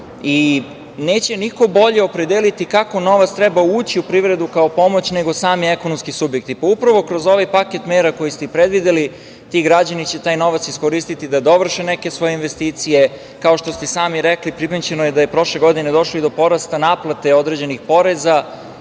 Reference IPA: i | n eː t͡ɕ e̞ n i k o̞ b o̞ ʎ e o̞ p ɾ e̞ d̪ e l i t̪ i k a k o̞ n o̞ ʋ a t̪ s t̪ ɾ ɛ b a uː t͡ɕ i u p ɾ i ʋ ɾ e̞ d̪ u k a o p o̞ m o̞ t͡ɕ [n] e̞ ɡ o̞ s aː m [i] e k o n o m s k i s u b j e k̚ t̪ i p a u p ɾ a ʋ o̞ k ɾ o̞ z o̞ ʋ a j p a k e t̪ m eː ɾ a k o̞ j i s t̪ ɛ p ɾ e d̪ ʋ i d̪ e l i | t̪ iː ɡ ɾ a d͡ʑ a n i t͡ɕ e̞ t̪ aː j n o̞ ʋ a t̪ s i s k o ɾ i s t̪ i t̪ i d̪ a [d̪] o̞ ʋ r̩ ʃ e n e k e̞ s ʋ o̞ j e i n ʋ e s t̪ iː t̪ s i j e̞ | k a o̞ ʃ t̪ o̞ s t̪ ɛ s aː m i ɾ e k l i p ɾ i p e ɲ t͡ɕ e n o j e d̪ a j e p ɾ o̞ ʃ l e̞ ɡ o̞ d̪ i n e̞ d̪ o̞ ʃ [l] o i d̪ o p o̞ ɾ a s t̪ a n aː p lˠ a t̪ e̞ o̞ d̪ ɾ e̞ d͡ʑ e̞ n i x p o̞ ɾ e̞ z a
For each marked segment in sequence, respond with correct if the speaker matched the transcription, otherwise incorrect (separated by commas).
correct, correct, correct, correct